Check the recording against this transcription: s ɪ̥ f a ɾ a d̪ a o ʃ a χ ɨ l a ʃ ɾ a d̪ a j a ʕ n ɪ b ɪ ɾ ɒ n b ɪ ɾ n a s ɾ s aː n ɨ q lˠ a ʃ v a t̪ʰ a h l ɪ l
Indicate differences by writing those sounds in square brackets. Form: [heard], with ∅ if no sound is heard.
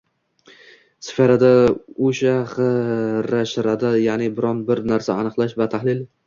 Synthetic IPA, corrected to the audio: s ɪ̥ f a ɾ a d̪ a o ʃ a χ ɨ [ɾ] a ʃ ɾ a d̪ a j a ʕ n ɪ b ɪ ɾ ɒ n b ɪ ɾ n a [∅] ɾ s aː n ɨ q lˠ a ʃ v a t̪ʰ a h l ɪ l